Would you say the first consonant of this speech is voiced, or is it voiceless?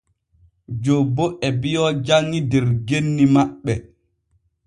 voiced